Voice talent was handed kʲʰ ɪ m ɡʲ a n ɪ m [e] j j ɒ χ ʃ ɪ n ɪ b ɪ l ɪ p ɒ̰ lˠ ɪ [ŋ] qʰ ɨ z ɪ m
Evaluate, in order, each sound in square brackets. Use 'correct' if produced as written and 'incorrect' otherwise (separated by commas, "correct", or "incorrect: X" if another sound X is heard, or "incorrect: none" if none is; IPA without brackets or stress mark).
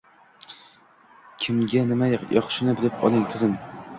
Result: incorrect: a, correct